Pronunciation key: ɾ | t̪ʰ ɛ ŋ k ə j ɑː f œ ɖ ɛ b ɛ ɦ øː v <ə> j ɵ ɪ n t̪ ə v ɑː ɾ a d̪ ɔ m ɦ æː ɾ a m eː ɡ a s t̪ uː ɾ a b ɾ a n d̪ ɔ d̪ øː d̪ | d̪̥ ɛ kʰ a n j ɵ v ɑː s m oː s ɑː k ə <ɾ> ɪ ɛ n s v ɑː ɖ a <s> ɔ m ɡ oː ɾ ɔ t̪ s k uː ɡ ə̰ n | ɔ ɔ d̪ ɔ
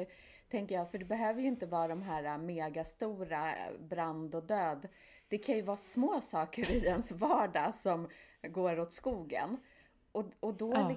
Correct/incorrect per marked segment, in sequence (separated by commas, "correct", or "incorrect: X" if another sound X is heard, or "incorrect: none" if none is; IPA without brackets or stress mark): correct, correct, correct